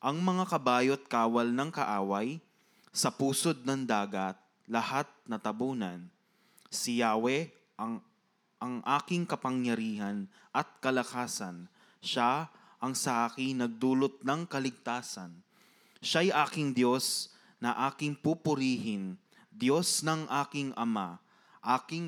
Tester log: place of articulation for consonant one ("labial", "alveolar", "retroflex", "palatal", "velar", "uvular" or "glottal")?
glottal